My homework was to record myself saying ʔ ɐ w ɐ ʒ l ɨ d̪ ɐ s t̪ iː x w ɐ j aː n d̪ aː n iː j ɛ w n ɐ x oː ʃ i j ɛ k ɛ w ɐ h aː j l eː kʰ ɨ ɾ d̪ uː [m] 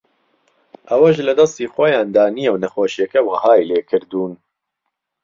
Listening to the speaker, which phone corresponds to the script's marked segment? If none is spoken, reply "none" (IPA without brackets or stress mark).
n